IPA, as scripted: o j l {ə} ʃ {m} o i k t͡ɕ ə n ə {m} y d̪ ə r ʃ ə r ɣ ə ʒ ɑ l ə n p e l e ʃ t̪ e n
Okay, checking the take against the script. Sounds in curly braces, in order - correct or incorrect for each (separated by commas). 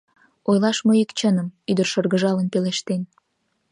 incorrect, correct, correct